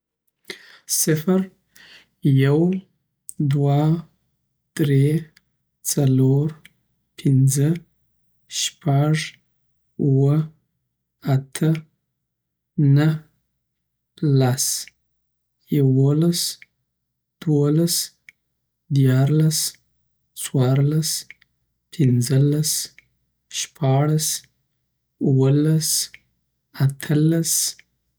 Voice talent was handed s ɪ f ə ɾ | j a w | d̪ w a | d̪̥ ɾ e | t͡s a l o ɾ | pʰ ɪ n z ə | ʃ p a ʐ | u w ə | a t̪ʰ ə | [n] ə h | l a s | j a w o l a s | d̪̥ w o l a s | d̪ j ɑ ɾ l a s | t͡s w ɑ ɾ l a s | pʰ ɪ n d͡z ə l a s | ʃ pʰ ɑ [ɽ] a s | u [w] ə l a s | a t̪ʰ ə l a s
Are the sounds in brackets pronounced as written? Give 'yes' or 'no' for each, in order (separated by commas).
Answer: yes, yes, yes